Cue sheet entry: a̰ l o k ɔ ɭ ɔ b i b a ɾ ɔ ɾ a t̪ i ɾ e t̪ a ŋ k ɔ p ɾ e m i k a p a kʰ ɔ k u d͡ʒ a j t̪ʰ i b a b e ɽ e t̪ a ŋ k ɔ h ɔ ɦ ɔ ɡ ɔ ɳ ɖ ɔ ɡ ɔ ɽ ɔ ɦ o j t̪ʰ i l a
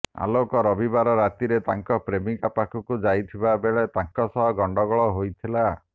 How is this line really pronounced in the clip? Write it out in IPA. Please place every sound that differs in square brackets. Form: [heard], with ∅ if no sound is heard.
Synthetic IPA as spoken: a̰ l o k ɔ [ɾ] ɔ b i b a ɾ ɔ ɾ a t̪ i ɾ e t̪ a ŋ k ɔ p ɾ e m i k a p a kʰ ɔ k u d͡ʒ a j t̪ʰ i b a b e [ɭ] e t̪ a ŋ k ɔ [s] ɔ ɦ ɔ ɡ ɔ ɳ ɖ ɔ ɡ ɔ [ɭ] ɔ ɦ o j t̪ʰ i l a